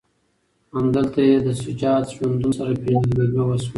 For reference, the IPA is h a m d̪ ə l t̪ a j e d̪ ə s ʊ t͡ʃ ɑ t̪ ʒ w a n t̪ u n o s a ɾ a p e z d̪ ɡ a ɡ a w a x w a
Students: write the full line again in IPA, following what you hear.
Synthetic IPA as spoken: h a m d̪ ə l t̪ a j e d̪ ə s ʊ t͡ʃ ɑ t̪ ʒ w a n d̪ u n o s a ɾ a p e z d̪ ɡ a ɡ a w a s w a